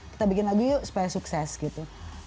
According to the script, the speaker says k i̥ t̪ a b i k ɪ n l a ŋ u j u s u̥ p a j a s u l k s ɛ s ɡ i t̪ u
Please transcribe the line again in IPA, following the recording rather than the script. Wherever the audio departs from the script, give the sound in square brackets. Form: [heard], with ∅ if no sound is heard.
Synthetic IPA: k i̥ t̪ a b i k ɪ n l a [ɡ] u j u s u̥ p a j a s u [∅] k s ɛ s ɡ i t̪ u